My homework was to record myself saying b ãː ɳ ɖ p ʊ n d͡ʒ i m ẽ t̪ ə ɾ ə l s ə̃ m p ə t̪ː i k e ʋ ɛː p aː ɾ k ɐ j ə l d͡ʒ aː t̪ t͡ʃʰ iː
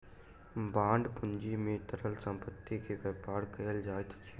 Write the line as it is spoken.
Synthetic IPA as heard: b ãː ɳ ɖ p ʊ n d͡ʒ i m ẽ t̪ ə ɾ ə l s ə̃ m p ə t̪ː i k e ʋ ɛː p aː ɾ k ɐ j ə l d͡ʒ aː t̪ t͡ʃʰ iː